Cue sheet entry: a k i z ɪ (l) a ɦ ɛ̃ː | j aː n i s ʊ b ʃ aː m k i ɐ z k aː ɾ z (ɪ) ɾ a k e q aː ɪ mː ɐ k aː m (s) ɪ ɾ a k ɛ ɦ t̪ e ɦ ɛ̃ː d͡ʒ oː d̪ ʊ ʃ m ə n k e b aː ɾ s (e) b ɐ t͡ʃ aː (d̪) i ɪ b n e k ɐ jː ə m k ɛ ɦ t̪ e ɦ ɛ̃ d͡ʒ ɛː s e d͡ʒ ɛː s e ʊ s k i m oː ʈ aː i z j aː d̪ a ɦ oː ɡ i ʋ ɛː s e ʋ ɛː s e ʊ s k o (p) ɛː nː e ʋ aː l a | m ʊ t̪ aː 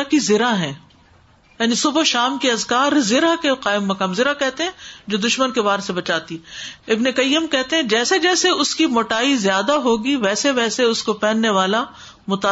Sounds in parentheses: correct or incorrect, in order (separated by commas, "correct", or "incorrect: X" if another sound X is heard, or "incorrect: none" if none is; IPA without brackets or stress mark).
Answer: incorrect: ɾ, correct, incorrect: z, correct, incorrect: t̪, correct